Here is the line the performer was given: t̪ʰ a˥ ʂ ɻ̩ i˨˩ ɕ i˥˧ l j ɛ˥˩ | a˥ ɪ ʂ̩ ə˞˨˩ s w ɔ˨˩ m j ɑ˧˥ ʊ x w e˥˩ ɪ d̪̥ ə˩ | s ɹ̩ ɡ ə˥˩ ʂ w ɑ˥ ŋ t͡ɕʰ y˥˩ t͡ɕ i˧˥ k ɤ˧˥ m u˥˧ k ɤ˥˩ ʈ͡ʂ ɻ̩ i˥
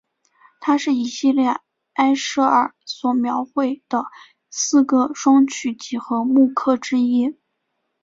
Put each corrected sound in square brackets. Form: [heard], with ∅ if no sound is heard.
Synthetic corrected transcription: t̪ʰ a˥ ʂ ɻ̩ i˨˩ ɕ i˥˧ l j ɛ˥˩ | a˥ ɪ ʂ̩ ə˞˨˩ s w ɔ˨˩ m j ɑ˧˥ ʊ x w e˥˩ ɪ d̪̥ ə˩ | s ɹ̩ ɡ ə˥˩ ʂ w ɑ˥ ŋ t͡ɕʰ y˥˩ t͡ɕ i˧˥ [x] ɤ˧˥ m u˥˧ [kʰ] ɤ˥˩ ʈ͡ʂ ɻ̩ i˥